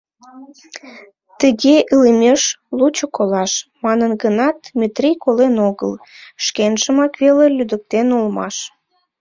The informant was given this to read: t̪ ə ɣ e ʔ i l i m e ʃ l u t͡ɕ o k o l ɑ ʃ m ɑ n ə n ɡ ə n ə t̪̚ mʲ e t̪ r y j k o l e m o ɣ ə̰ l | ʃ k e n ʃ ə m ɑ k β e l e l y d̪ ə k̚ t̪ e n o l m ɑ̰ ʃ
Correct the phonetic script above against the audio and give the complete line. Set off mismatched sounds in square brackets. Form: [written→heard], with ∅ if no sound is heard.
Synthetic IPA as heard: t̪ ə ɣ e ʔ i l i m e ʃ l u t͡ɕ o k o l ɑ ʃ m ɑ n ə n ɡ ə n [ə→ɑ] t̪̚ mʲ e t̪ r [y→i] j k o l e [m→n] o ɣ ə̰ l | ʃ k e n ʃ ə m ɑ k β e l e l y d̪ ə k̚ t̪ e n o l m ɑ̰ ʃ

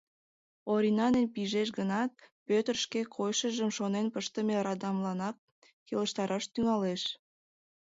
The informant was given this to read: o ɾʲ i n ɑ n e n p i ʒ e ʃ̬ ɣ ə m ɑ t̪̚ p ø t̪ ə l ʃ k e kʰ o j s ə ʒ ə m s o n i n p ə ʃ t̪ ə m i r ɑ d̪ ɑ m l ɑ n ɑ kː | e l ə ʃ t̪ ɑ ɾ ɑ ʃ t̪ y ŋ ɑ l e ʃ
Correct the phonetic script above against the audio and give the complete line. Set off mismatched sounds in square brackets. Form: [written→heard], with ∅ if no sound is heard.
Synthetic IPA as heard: o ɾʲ i n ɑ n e n p i ʒ e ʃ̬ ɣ ə [m→n] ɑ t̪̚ p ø t̪ ə [l→r] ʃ k e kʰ o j [s→ʃ] ə ʒ ə m [s→ʃ] o n [i→e] n p ə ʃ t̪ ə m [i→e] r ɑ d̪ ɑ m l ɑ n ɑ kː | e l ə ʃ t̪ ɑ ɾ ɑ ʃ t̪ y ŋ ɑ l e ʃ

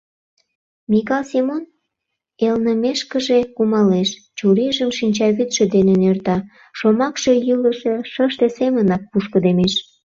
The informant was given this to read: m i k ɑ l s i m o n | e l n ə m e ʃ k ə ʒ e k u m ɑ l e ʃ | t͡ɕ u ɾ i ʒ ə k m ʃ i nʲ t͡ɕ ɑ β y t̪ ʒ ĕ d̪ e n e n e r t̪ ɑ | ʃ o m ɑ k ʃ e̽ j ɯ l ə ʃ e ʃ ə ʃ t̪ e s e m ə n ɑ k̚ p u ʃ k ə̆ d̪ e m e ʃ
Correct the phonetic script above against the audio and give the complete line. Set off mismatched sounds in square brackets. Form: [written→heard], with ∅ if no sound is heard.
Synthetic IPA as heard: m i k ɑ l s i m o n | e l n ə m e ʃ k ə ʒ e k u m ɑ l e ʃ | t͡ɕ u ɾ i ʒ ə [k→∅] m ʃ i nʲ t͡ɕ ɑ β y t̪ [ʒ→ʃ] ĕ d̪ e n e n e r t̪ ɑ | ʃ o m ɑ k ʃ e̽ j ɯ l ə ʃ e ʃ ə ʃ t̪ e s e m ə n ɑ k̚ p u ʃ k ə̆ d̪ e m e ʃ

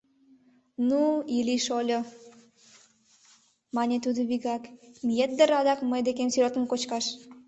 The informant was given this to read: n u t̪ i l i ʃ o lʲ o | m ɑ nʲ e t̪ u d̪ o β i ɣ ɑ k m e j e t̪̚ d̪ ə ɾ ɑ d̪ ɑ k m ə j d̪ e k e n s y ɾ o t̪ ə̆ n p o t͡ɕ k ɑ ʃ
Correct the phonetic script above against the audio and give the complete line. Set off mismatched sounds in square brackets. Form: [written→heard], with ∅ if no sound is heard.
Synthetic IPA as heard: n u [t̪→∅] i l i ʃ o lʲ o | m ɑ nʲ e t̪ u d̪ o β i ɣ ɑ k m [e→i] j e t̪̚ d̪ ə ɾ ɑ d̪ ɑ k m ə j d̪ e k e [n→m] s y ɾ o t̪ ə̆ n [p→k] o t͡ɕ k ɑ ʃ

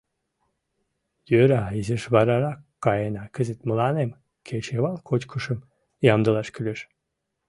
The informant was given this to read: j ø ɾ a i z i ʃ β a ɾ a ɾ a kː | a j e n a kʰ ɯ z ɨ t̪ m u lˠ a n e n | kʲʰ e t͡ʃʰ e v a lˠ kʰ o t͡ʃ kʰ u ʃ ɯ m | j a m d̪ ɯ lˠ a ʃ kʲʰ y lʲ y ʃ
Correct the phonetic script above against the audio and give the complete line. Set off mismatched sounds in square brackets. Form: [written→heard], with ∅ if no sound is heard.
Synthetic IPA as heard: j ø ɾ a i z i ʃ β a ɾ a ɾ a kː | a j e n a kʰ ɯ z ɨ t̪ m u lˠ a n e [n→m] | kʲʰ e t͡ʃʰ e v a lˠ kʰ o t͡ʃ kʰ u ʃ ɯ m | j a m d̪ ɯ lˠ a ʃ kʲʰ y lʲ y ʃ

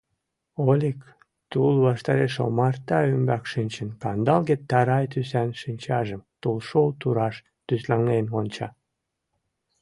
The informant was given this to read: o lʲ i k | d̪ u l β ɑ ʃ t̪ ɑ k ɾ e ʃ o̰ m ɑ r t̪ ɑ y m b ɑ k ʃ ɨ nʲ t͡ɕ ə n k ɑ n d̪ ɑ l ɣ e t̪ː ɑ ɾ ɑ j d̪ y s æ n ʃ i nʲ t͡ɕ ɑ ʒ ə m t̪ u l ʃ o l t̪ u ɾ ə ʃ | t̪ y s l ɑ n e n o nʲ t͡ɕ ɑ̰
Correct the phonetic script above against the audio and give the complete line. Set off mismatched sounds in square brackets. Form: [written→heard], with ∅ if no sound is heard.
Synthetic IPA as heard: o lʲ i k | [d̪→t̪] u l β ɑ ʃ t̪ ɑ [k→∅] ɾ e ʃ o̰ m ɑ r t̪ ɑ y m b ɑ k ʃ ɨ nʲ t͡ɕ ə n k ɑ n d̪ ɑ l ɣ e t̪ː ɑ ɾ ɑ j [d̪→t̪] y s æ n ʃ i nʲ t͡ɕ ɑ ʒ ə m t̪ u l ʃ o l t̪ u ɾ [ə→ɑ] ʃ | t̪ y s l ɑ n e n o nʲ t͡ɕ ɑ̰

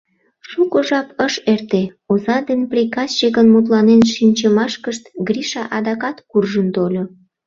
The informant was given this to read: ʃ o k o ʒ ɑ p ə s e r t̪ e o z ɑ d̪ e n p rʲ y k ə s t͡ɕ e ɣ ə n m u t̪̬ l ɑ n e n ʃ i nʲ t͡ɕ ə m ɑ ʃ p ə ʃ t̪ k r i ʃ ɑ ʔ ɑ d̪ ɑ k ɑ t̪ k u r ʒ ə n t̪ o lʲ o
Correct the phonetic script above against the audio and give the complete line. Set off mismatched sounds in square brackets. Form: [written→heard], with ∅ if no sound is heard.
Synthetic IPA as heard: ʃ [o→u] k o ʒ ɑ p ə [s→ʃ] e r t̪ e o z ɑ d̪ e n p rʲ [y→i] k [ə→ɑ] s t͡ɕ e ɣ ə n m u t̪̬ l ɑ n e n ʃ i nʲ t͡ɕ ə m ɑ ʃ [p→k] ə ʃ t̪ [k→ɡ] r i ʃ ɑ ʔ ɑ d̪ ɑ k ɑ t̪ k u r ʒ ə n t̪ o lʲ o

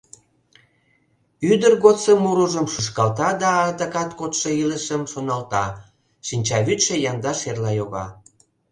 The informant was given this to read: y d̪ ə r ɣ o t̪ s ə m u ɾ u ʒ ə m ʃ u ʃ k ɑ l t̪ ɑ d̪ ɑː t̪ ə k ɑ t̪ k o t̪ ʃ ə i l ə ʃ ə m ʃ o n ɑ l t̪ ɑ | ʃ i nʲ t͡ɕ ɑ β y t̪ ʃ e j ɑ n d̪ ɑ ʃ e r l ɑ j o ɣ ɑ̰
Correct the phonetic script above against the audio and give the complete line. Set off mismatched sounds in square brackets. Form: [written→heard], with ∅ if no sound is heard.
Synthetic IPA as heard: y d̪ ə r ɣ o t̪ s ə m u ɾ u ʒ ə m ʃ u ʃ k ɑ l t̪ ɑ d̪ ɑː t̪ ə k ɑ t̪ k o t̪ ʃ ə i l ə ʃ ə m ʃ o n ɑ l t̪ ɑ | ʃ i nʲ t͡ɕ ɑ β y t̪ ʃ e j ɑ n d̪ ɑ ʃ e r l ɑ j o ɣ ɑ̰

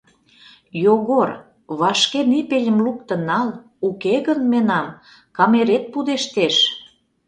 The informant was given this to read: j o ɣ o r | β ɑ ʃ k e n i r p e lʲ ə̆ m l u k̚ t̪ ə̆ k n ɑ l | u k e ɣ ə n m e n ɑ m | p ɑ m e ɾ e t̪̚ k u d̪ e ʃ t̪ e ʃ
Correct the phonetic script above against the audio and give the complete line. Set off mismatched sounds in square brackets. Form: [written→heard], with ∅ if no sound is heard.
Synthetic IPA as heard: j o ɣ o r | β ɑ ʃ k e n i [r→∅] p e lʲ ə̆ m l u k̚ t̪ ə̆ [k→∅] n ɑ l | u k e ɣ ə n m e n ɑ m | [p→k] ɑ m e ɾ e t̪̚ [k→p] u d̪ e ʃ t̪ e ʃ

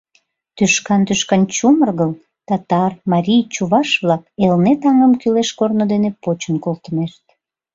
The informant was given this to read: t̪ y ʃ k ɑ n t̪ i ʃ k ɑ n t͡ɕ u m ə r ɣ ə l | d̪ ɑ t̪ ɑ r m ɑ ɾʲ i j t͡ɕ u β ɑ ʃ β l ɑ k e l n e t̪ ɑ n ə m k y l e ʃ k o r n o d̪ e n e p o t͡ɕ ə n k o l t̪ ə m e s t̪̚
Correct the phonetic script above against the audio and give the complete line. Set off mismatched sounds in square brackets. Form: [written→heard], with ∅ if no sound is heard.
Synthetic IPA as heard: t̪ y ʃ k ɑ n t̪ [i→y] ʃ k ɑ n t͡ɕ u m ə r ɣ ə l | [d̪→t̪] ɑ t̪ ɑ r m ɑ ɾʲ i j t͡ɕ u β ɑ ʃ β l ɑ k e l n e t̪ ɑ [n→ŋ] ə m k y l e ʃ k o r n o d̪ e n e p o t͡ɕ ə n k o l t̪ ə m e [s→ʃ] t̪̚

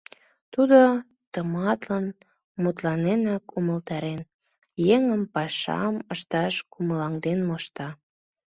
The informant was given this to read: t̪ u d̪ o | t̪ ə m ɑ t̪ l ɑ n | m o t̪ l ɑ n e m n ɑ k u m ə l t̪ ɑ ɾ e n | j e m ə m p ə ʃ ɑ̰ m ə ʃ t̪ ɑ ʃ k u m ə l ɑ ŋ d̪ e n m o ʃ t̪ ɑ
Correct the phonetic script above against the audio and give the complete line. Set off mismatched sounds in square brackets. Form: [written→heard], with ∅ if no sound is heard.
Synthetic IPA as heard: t̪ u d̪ o | t̪ ə m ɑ t̪ l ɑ n | m [o→u] t̪ l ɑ n e [m→∅] n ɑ k u m ə l t̪ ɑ ɾ e n | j e [m→ŋ] ə m p [ə→ɑ] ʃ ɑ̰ m ə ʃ t̪ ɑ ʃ k u m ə l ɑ ŋ d̪ e n m o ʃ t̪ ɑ

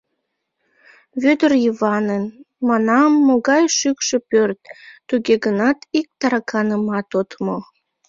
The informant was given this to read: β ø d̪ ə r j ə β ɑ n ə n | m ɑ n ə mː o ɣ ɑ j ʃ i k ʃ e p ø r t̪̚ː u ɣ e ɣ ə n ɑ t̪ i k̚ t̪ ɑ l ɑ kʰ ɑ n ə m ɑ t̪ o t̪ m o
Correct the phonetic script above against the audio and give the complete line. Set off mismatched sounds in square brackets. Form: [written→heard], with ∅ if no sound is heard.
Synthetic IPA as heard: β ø d̪ ə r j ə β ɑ n ə n | m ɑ n [ə→ɑ] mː o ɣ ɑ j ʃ [i→y] k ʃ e p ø r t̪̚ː u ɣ e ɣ ə n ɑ t̪ i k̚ t̪ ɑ [l→ɾ] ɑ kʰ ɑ n ə m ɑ t̪ o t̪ m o

